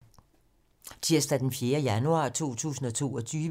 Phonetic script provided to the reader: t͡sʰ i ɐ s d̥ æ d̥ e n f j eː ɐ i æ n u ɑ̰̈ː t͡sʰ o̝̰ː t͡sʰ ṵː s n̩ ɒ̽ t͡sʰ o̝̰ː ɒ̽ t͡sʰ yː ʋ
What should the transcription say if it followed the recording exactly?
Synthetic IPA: t͡sʰ i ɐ s d̥ æ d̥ e n f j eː ɐ j æ n u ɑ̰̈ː t͡sʰ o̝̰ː t͡sʰ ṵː s n̩ ɒ̽ t͡sʰ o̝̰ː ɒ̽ t͡sʰ yː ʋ

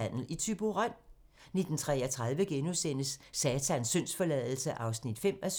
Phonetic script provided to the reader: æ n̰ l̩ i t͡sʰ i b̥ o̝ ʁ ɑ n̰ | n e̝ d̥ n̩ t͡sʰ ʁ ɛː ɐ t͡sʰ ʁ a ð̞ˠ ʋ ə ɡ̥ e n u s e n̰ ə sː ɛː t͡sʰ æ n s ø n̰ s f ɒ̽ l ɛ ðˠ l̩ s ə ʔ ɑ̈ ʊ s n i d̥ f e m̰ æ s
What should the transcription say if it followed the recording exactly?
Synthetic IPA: æ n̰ l̩ i t͡sʰ y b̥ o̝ ʁ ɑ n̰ | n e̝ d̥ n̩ t͡sʰ ʁ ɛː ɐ t͡sʰ ʁ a ð̞ˠ ʋ ə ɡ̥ e n u s e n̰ ə sː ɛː t͡sʰ æ n s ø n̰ s f ɒ̽ l ɛ ðˠ l̩ s ə ʔ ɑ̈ ʊ s n i d̥ f e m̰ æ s

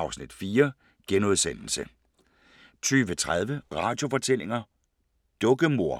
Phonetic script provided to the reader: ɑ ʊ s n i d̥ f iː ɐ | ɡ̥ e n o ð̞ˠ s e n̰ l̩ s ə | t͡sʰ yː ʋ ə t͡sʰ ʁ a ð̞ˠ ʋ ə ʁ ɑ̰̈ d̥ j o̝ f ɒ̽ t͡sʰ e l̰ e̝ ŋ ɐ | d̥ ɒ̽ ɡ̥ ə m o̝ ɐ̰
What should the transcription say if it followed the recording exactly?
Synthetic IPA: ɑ ʊ s n i d̥ f iː ɐ | ɡ̥ e n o ð̞ˠ s e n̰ l̩ s ə | t͡sʰ yː ʋ ə t͡sʰ ʁ a ð̞ˠ ʋ ə ʁ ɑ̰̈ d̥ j o̝ f ɒ̽ t͡sʰ e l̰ e̝ ŋ ɐ | d̥ ɔ̽ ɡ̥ ə m o̝ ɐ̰

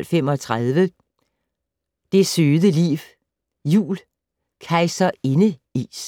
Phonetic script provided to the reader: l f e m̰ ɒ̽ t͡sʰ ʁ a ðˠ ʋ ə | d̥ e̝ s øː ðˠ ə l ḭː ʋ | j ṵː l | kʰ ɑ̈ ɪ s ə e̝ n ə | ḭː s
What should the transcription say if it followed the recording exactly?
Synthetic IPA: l f e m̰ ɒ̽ t͡sʰ ʁ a ðˠ ʋ ə | d̥ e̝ s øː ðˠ ə l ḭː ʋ | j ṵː l | kʰ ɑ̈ ɪ s ɐ e̝ n ə | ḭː s

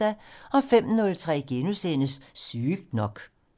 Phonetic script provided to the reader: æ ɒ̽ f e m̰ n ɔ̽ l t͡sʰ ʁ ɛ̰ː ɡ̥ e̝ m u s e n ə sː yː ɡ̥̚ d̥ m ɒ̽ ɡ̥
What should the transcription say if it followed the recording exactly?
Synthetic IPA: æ ɒ̽ f e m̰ n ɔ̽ l t͡sʰ ʁ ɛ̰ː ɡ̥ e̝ n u s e n ə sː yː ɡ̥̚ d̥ n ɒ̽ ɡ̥

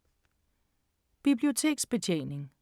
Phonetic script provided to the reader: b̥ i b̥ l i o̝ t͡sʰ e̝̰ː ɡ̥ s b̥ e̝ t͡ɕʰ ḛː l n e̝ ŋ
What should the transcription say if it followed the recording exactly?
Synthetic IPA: b̥ i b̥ l i o̝ t͡sʰ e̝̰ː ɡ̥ s b̥ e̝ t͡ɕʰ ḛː n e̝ ŋ

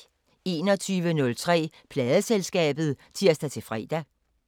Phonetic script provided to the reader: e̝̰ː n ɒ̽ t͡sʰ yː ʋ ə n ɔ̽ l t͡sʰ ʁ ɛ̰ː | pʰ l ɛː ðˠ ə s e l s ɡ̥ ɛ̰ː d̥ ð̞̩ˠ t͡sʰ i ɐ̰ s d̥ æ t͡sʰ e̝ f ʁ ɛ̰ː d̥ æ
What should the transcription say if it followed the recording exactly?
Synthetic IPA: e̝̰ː n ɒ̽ t͡sʰ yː ʋ ə n ɔ̽ l t͡sʰ ʁ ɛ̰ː | pʰ l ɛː ðˠ ə s e l s ɡ̥ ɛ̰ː b̥ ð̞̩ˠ t͡sʰ i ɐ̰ s d̥ æ t͡sʰ e̝ f ʁ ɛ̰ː d̥ æ

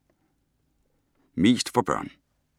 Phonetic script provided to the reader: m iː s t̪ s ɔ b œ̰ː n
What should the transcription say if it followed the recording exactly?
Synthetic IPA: m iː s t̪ f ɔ b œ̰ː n

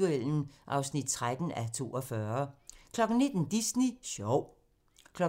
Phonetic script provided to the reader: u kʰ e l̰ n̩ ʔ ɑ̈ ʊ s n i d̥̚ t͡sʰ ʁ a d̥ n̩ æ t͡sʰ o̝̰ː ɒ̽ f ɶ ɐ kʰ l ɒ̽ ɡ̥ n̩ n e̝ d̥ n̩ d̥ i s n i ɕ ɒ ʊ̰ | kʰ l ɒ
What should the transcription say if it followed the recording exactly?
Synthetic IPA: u e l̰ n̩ ʔ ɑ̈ ʊ s n i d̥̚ t͡sʰ ʁ a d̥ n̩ æ t͡sʰ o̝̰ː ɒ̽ f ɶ ɐ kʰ l ɒ̽ ɡ̥ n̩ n e̝ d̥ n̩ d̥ i s n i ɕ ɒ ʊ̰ | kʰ l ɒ

